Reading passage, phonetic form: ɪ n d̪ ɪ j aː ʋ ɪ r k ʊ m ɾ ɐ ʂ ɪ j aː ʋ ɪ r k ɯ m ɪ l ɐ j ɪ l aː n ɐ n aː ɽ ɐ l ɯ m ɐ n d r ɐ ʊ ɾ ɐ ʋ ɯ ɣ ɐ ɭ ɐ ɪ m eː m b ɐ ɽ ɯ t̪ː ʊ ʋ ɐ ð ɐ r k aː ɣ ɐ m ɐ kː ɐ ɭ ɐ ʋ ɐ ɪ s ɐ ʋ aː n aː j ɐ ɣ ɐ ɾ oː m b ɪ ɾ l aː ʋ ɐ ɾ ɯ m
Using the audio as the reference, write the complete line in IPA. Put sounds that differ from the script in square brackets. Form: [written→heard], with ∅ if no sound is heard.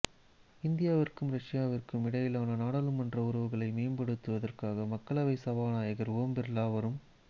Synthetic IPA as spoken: ɪ n d̪ ɪ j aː ʋ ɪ r k [ʊ→ɯ] m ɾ ɐ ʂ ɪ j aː ʋ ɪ r k ɯ m ɪ [l→ɽ] ɐ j ɪ l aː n ɐ n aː ɽ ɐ l ɯ m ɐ n d r ɐ ʊ ɾ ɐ ʋ ɯ ɣ ɐ ɭ ɐ ɪ m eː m b ɐ ɽ ɯ t̪ː [ʊ→ɯ] ʋ ɐ ð ɐ r k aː ɣ ɐ m ɐ kː ɐ ɭ ɐ ʋ ɐ ɪ s ɐ ʋ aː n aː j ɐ ɣ ɐ ɾ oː m b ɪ ɾ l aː ʋ ɐ ɾ ɯ m